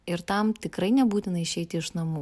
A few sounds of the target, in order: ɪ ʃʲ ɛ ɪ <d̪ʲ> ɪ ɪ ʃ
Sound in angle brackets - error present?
yes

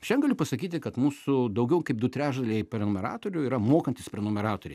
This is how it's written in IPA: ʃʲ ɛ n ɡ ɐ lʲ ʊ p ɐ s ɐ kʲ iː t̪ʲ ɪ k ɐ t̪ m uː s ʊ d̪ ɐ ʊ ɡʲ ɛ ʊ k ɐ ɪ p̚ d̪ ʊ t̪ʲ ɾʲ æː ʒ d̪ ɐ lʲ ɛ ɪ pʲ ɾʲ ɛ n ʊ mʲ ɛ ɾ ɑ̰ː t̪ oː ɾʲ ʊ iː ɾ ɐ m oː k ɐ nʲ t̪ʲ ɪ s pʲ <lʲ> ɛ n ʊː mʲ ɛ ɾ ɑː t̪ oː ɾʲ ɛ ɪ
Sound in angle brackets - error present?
yes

